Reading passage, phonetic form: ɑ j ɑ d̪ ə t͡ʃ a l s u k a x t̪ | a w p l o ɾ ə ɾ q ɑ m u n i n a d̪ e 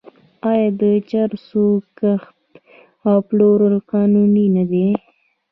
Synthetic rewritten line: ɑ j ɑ d̪ ə t͡ʃ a ɾ s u k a x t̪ | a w p l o ɾ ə l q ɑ n u n i n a d̪ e